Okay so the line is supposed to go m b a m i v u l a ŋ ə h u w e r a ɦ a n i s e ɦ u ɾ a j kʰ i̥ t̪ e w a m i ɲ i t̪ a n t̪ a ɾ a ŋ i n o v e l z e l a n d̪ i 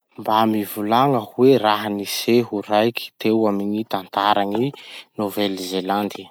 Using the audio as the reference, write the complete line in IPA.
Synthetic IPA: m b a m i v u l a ŋ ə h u w e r a ɦ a n i s e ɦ u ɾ a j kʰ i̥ t̪ e w a m i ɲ i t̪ a n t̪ a ɾ a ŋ i n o v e l z e l a n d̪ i